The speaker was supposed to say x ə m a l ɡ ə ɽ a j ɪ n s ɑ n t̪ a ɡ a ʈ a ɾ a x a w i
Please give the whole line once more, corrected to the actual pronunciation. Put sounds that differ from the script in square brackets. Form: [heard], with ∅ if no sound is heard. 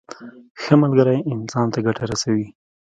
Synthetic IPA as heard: x ə m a l ɡ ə [ɾ] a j ɪ n s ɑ n t̪ a ɡ a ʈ a ɾ a [s] a w i